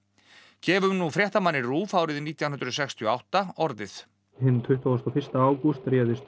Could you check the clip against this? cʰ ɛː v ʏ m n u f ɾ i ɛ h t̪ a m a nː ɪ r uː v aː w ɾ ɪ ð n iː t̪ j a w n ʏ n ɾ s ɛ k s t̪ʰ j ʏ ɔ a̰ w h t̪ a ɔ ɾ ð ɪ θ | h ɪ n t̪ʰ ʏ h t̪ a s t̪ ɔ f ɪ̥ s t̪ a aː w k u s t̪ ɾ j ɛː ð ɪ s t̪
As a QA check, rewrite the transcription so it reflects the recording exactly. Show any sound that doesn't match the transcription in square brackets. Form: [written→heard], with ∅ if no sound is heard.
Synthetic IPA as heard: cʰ ɛː v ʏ m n u f ɾ [i→j] ɛ h t̪ a m a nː ɪ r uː [v→f] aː w ɾ ɪ ð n iː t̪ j a w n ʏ n ɾ s ɛ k s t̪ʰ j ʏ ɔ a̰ w h t̪ a ɔ ɾ ð ɪ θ | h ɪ n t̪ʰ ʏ h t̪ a s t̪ ɔ f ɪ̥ s t̪ a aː w k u s t̪ ɾ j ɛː ð ɪ s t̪